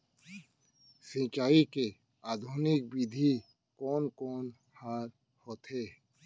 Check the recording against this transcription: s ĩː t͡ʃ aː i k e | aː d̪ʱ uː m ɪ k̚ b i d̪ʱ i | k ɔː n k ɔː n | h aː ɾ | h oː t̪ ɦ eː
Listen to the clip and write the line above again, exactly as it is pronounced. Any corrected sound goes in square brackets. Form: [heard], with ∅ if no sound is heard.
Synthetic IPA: s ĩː t͡ʃ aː i k e | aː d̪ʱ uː [n] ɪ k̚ b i d̪ʱ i | k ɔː n k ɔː n | h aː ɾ | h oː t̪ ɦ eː